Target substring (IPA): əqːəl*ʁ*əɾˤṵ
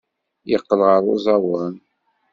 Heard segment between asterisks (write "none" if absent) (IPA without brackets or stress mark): ʁ